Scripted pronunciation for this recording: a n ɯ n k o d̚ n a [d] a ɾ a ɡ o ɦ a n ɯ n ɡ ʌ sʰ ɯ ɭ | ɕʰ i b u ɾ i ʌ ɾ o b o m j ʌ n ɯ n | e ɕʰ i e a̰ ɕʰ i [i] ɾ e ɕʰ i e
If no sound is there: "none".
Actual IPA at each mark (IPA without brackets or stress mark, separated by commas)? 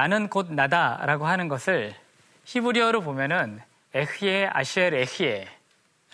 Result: d, e